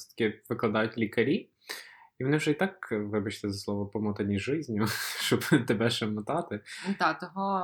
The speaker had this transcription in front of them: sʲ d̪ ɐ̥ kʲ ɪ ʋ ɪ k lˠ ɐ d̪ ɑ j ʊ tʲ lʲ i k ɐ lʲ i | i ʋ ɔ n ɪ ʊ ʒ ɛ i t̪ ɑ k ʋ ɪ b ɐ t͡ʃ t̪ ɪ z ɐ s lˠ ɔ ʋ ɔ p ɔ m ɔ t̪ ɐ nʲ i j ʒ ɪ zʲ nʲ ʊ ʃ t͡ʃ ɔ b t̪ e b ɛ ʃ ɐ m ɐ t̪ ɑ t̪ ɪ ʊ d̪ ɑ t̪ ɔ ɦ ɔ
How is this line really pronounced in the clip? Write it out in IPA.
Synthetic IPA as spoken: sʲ t̪ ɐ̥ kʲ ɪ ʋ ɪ k lˠ ɐ d̪ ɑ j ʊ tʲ lʲ i k ɐ ɾʲ i | i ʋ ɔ n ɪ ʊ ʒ ɛ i t̪ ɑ k ʋ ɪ b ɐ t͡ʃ t̪ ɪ z ɐ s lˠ ɔ ʋ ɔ p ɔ m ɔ t̪ ɐ nʲ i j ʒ ɪ zʲ nʲ ʊ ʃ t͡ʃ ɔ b t̪ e b ɛ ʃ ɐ m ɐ t̪ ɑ t̪ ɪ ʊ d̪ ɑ t̪ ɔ ɦ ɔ